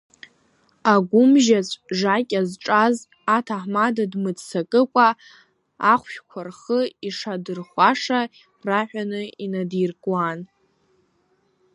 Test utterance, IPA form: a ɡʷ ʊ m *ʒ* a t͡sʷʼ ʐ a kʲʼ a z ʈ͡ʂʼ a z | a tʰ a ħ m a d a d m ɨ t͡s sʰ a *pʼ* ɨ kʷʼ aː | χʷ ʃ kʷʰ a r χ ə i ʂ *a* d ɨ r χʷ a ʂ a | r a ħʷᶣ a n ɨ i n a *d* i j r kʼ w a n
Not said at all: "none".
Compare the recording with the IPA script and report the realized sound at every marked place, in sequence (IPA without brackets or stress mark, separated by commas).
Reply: ʒ, kʼ, a, d